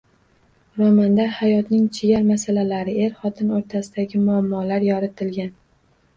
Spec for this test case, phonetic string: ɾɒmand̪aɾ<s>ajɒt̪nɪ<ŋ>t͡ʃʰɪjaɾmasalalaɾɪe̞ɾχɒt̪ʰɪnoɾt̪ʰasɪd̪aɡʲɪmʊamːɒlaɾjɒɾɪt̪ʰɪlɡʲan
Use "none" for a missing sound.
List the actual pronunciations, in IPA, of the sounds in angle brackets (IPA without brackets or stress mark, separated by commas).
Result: h, ŋ